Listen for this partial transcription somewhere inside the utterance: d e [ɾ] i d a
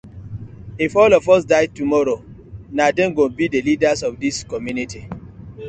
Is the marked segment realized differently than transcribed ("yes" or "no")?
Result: yes